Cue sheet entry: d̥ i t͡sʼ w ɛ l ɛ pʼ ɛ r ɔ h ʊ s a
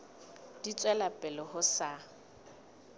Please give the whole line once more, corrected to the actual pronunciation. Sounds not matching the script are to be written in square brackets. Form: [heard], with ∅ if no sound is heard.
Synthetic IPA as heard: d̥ i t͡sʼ w ɛ l [a] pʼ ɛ [l] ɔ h ʊ s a